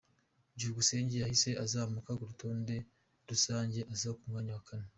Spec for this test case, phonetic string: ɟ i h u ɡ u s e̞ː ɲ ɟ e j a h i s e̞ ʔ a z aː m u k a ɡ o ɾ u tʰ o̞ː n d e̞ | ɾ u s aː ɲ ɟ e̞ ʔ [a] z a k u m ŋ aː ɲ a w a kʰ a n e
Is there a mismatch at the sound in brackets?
no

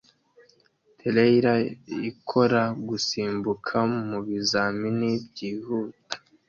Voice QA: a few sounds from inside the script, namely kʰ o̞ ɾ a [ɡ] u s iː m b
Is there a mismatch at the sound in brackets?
no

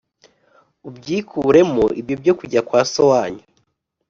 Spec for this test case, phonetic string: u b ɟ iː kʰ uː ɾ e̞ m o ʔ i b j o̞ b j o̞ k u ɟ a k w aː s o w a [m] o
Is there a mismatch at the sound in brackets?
yes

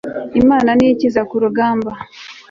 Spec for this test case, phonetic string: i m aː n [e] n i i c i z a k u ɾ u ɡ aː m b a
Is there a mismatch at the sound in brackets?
yes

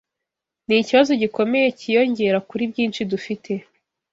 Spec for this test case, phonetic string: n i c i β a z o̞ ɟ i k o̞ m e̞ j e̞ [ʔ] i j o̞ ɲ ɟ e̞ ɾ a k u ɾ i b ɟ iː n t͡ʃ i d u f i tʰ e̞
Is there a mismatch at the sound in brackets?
yes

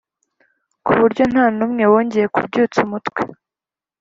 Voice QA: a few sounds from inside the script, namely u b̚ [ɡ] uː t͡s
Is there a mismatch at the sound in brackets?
yes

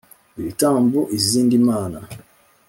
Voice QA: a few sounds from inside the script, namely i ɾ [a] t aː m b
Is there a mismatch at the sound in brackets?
yes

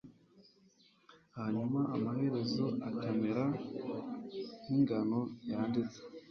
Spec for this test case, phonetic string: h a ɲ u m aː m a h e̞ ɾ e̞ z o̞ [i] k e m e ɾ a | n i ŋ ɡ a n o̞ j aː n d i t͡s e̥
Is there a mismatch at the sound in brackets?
yes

